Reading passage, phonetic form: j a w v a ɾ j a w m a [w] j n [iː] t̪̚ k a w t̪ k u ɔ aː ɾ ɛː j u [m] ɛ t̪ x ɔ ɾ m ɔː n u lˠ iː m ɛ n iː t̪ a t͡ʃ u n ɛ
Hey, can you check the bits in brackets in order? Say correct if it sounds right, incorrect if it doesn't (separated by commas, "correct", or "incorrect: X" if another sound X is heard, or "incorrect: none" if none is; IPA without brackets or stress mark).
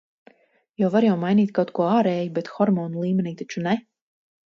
incorrect: none, correct, incorrect: b